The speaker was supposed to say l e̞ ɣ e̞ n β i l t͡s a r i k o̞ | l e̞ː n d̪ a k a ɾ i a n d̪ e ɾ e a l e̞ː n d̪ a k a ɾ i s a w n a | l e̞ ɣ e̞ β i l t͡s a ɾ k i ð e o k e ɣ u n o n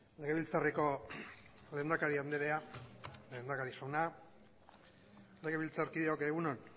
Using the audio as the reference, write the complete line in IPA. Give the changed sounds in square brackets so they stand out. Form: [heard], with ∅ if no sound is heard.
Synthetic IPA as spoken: l e̞ ɣ e̞ [∅] β i l t͡s a r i k o̞ | l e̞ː n d̪ a k a ɾ i a n d̪ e ɾ e a l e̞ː n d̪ a k a ɾ i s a w n a | l e̞ ɣ e̞ β i l t͡s a ɾ k i ð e o k e ɣ u n o n